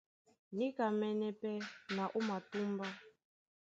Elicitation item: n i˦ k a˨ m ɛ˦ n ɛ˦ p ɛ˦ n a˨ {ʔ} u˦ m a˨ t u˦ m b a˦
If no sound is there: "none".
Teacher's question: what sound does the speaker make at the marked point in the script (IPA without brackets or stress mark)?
ʔ